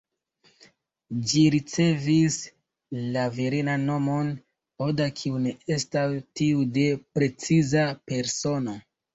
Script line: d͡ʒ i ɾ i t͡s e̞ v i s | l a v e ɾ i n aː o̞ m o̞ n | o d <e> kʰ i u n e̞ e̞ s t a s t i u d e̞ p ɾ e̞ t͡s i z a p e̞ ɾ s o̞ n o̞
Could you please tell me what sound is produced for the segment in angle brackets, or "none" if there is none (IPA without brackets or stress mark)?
a